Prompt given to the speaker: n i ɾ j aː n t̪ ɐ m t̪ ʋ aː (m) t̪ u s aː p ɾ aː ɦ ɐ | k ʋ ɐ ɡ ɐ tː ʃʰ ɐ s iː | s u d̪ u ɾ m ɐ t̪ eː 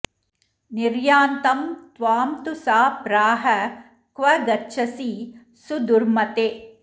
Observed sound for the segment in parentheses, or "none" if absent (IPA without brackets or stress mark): m